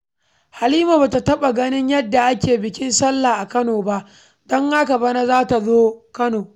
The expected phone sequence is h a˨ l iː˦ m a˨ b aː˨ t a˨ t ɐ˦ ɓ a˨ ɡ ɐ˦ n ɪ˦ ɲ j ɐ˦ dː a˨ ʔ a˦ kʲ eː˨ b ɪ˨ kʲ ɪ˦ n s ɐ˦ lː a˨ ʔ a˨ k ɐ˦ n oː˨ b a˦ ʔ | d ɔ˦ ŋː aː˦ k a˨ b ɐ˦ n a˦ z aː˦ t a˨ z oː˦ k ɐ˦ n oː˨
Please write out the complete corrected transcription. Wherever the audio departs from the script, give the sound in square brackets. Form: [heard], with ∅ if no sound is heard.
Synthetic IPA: h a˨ l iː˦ m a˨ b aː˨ t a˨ t ɐ˦ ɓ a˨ ɡ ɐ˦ n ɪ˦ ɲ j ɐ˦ dː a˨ ʔ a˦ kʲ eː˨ b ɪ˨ kʲ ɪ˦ n s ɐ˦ lː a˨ ʔ a˨ k ɐ˦ n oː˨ b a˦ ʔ | d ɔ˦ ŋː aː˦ k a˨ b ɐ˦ n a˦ z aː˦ t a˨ z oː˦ k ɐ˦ n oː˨